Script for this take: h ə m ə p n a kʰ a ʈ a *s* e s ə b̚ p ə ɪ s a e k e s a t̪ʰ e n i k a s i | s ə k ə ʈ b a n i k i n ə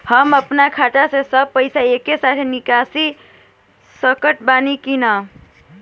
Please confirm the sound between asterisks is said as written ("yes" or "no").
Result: yes